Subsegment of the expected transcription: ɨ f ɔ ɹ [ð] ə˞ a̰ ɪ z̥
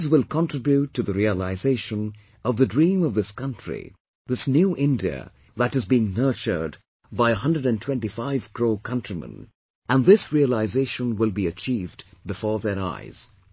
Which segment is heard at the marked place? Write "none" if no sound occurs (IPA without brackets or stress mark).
ð